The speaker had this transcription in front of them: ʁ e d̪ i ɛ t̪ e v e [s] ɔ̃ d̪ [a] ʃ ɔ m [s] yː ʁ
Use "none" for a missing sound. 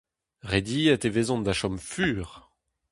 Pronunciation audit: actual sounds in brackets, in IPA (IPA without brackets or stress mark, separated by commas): z, a, f